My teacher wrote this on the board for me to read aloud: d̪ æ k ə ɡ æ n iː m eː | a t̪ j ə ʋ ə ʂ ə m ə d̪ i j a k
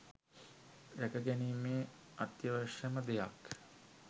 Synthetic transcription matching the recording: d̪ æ k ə ɡ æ n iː m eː | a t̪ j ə ʋ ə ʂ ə m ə d̪ e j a k